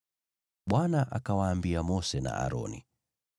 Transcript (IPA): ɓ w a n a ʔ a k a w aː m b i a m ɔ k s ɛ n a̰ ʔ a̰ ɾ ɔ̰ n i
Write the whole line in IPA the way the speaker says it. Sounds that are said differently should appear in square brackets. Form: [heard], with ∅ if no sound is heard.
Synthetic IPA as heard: ɓ w a n a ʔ a k a w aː m b i a m ɔ [∅] s ɛ n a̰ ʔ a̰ ɾ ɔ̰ n i